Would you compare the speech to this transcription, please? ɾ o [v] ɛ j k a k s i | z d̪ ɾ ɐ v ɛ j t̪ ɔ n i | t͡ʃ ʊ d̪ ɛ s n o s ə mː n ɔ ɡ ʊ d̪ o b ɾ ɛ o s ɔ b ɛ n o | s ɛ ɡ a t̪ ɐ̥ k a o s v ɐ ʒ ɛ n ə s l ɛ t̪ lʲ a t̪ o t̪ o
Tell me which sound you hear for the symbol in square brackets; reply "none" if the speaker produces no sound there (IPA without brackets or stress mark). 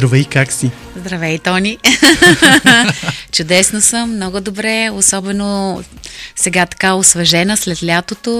v